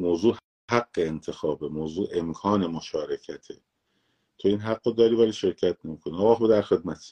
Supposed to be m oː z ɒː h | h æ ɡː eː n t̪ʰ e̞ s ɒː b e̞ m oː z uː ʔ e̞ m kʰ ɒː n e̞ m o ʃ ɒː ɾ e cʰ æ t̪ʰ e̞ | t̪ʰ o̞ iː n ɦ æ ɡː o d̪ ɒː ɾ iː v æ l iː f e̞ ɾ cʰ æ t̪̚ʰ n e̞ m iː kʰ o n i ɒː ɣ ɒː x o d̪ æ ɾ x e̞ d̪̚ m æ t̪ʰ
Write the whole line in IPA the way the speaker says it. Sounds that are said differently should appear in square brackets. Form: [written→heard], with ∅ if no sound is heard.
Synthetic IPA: m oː z [ɒː→uː] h | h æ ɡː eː n t̪ʰ e̞ [s→x] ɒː b e̞ m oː z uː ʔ e̞ m kʰ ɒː n e̞ m o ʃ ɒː ɾ e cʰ æ t̪ʰ e̞ | t̪ʰ o̞ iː n ɦ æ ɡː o d̪ ɒː ɾ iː v æ l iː [f→ʃ] e̞ ɾ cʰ æ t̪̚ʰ n e̞ m iː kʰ o n i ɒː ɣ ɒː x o d̪ æ ɾ x e̞ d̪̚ m æ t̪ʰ